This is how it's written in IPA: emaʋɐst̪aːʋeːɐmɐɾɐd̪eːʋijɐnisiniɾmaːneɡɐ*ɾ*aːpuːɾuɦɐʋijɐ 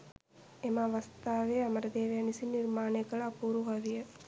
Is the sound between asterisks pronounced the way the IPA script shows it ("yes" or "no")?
no